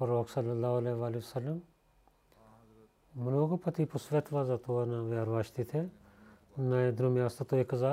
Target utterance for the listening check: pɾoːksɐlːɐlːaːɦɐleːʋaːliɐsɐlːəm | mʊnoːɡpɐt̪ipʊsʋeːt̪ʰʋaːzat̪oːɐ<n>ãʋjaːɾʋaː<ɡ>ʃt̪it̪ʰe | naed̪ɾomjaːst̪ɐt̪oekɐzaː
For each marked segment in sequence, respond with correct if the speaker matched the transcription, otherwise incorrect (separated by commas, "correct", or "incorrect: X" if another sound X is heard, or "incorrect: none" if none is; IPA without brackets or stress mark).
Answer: correct, incorrect: none